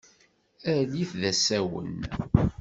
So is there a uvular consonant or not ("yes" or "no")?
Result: no